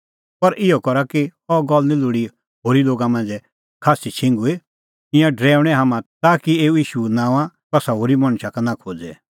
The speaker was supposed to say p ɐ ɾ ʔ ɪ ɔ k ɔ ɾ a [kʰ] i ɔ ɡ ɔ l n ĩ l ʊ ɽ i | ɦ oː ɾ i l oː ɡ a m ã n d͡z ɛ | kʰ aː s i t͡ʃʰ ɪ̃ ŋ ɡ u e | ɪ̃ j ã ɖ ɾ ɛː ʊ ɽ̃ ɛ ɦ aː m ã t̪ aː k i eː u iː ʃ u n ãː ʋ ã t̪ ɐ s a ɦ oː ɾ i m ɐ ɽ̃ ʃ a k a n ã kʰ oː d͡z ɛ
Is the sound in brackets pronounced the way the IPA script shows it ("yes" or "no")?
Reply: no